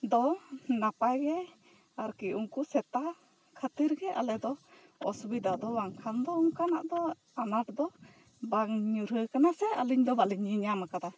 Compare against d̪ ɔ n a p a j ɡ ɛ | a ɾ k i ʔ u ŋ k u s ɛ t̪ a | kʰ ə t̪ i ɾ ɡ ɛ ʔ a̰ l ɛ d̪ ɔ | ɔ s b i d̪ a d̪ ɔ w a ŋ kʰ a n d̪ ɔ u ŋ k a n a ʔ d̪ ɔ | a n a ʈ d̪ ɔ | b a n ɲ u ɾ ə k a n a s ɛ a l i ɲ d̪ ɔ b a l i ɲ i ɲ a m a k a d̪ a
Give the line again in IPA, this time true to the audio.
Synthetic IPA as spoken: d̪ ɔ n a p a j ɡ ɛ | a ɾ k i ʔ u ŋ k u s ɛ t̪ a | kʰ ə t̪ i ɾ ɡ ɛ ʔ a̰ l ɛ d̪ ɔ | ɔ s b i d̪ a d̪ ɔ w a ŋ kʰ a n d̪ ɔ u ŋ k a n a ʔ d̪ ɔ | a n a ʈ d̪ ɔ | b a ŋ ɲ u ɾ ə k a n a s ɛ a l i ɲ d̪ ɔ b a l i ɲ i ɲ a m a k a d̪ a